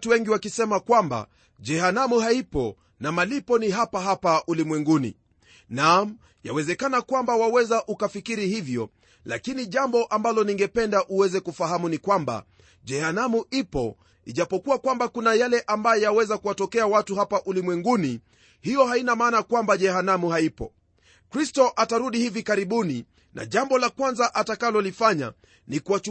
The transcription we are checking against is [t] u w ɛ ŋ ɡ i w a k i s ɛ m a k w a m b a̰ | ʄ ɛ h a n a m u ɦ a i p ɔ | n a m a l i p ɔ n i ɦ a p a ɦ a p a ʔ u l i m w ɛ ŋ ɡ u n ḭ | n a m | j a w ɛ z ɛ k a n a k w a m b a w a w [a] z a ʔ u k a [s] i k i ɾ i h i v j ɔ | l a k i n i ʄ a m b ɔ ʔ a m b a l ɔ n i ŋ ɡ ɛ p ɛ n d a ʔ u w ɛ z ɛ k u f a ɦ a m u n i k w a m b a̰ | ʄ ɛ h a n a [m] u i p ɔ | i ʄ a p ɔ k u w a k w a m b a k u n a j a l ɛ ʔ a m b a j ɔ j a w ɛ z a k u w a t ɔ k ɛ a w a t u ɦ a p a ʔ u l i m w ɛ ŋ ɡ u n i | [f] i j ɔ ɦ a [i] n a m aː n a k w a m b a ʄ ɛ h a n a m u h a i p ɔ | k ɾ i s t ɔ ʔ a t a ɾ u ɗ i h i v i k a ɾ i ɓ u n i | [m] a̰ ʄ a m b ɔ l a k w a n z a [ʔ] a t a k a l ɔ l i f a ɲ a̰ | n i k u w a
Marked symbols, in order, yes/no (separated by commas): yes, no, no, yes, no, yes, no, yes